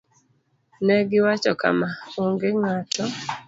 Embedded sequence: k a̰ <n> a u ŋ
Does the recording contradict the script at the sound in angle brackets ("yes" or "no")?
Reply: yes